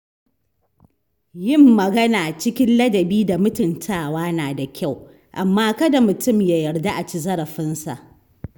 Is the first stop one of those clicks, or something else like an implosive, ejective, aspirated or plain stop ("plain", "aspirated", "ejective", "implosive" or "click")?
plain